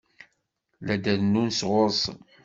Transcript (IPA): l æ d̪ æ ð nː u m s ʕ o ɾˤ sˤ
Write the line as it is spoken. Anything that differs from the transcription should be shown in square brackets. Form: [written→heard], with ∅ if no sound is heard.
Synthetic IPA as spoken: l æ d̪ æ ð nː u [m→n] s [ʕ→ʁ] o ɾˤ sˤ